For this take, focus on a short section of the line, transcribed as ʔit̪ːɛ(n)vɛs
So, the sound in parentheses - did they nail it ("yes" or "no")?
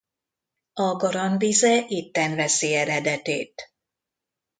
yes